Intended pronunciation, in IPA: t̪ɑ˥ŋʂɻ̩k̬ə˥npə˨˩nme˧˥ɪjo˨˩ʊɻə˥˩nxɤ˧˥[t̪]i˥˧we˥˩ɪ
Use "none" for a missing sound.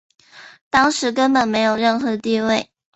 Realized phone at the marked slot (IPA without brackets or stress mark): t̪